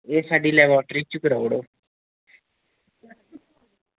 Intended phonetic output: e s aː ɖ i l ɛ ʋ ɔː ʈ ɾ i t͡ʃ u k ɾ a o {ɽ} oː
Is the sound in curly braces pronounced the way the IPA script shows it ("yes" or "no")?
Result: yes